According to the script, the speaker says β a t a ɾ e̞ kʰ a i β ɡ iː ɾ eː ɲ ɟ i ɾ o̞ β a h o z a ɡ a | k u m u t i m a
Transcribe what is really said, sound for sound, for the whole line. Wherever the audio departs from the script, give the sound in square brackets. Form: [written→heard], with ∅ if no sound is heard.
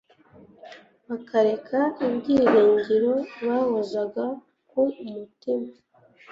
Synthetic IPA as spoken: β a [t→k] a ɾ e̞ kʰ a i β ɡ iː ɾ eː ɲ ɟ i ɾ o̞ β a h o z a ɡ a | k u m u t i m a